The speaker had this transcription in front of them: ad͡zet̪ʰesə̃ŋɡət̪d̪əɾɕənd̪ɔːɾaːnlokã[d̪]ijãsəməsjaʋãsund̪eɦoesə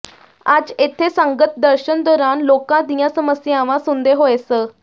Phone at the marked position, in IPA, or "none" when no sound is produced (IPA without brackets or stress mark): d̪